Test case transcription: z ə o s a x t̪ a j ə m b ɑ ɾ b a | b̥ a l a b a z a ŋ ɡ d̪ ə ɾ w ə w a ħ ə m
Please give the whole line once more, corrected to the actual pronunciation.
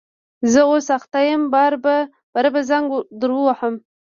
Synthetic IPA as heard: z ə o s a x t̪ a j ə m b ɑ ɾ b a | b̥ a ɾ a b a z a ŋ ɡ d̪ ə ɾ w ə w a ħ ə m